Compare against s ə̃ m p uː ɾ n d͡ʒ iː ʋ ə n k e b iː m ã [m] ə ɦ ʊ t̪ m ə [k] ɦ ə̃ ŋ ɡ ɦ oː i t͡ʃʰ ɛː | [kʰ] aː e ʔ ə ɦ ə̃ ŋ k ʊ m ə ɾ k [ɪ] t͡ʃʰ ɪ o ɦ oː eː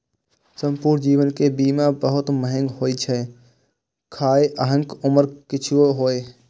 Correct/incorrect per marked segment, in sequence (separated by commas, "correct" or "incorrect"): incorrect, incorrect, correct, correct